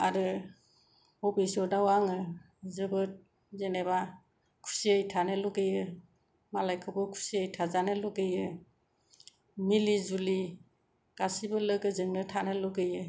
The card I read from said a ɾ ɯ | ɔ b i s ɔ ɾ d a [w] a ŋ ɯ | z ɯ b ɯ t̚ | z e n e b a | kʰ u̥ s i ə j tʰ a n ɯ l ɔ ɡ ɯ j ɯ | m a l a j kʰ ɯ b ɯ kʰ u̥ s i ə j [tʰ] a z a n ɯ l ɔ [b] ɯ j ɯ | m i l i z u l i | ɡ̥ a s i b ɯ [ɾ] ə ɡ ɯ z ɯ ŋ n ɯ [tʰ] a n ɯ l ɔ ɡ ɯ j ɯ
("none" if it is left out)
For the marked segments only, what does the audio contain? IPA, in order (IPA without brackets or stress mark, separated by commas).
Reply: w, tʰ, ɡ, l, tʰ